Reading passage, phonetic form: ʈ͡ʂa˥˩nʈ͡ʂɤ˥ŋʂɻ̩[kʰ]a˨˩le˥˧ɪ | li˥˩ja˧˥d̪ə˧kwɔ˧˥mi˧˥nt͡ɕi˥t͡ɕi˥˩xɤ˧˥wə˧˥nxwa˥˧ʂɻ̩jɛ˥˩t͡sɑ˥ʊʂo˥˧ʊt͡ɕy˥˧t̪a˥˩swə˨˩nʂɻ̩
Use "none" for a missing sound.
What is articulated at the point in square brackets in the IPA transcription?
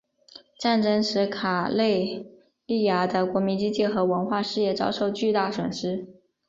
kʰ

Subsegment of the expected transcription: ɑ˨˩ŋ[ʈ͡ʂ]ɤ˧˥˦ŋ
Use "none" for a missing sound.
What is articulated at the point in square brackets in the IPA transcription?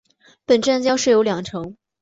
ʈ͡ʂʰ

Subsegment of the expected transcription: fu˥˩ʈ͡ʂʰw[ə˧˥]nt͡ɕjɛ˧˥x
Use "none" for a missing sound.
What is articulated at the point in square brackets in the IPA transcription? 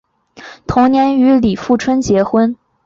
ə˥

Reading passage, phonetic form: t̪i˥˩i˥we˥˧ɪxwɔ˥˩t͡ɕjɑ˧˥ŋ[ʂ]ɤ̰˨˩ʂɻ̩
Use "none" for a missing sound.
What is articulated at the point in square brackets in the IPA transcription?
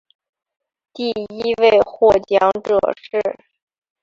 ʈ͡ʂ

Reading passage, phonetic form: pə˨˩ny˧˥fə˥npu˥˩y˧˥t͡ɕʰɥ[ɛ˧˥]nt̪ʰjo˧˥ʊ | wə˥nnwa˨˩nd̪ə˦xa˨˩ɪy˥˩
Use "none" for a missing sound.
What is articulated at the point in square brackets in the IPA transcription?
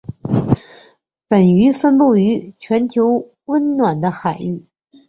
ɛ˧˥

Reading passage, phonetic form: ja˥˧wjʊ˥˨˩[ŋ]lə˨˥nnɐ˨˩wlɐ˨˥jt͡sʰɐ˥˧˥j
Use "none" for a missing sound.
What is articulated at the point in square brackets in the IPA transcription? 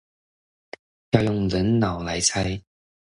ŋ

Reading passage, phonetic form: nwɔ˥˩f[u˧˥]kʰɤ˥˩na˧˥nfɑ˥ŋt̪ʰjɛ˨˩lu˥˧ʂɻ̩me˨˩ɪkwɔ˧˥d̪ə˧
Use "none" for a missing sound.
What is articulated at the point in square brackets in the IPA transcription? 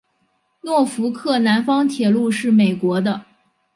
u˧˥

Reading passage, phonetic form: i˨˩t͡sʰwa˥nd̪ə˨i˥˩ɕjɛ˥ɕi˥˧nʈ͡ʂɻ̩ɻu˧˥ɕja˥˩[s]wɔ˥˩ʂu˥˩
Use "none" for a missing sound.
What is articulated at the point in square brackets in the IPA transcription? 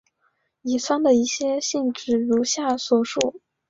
s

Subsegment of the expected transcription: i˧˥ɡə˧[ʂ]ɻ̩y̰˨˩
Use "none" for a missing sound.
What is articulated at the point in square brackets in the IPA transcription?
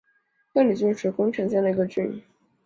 ʈ͡ʂ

